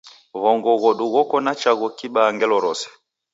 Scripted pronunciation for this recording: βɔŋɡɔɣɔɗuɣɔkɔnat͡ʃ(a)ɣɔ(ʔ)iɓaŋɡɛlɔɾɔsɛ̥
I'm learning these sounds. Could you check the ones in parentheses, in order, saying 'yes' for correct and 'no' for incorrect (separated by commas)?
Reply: yes, no